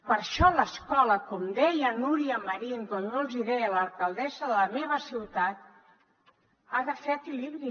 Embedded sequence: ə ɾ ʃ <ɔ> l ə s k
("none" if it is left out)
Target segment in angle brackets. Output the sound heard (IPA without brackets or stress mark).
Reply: ɔ